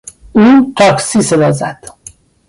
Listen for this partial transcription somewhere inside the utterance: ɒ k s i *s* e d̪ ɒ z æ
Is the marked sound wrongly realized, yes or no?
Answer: no